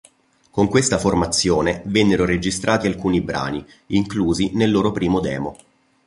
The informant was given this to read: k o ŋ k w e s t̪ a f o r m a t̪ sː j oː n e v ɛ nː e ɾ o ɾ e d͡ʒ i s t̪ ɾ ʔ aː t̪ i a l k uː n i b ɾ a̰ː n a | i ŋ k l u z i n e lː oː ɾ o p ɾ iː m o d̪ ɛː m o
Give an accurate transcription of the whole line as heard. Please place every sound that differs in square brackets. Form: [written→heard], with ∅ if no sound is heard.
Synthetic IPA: k o ŋ k w e s t̪ a f o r m a t̪ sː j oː n e v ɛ nː e ɾ o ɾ e d͡ʒ i s t̪ ɾ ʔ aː t̪ i a l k uː n i b ɾ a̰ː n [a→i] | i ŋ k l [u→uː] z i n e lː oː ɾ o p ɾ iː m o d̪ ɛː m o